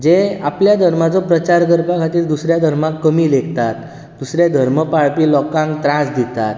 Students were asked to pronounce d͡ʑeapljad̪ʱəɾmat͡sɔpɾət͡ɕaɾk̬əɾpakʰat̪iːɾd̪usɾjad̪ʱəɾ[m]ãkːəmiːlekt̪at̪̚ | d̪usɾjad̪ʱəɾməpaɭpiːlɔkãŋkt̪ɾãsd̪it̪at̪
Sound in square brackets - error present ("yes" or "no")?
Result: no